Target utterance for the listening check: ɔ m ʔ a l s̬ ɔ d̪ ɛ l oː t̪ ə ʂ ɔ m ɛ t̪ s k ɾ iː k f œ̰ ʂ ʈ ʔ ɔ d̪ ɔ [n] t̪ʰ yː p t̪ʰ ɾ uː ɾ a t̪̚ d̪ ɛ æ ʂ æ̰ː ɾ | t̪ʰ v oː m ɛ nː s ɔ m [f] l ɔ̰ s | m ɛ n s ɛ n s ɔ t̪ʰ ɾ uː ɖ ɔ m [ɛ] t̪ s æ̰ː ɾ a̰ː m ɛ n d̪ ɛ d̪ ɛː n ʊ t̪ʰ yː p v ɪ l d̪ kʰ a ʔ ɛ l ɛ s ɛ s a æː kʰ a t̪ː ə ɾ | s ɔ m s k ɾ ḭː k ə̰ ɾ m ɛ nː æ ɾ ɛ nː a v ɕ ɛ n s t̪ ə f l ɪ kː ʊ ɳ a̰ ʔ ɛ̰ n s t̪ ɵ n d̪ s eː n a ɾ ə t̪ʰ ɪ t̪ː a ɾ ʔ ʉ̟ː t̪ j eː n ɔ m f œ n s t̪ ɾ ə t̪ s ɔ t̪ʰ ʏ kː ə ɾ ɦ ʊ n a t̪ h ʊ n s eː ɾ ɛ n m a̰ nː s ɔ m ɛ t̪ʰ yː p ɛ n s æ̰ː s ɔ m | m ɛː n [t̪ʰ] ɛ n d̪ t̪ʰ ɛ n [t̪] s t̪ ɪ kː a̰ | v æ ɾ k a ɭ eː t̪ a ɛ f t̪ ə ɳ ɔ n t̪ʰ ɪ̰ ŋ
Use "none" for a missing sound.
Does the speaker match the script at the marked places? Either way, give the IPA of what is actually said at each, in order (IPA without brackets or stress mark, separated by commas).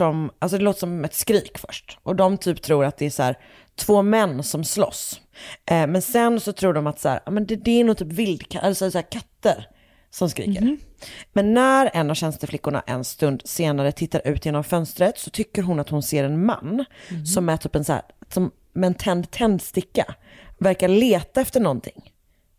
m, s, a, t̪ʰ, d̪